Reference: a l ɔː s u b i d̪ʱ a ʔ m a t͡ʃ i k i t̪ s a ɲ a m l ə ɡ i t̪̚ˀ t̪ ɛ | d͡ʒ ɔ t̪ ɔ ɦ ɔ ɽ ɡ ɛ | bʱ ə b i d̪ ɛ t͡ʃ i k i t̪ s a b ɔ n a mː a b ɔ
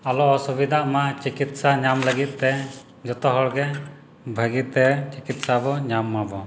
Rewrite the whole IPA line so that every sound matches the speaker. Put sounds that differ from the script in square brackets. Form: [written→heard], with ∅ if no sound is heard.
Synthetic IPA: a l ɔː s u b i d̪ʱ a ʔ m a t͡ʃ i k i t̪ s a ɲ a m l ə ɡ i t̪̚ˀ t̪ ɛ | d͡ʒ ɔ t̪ ɔ ɦ ɔ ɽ ɡ ɛ | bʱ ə [b→ɡ] i [d̪→t̪] ɛ t͡ʃ i k i t̪ s a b ɔ [n→ɲ] a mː a b ɔ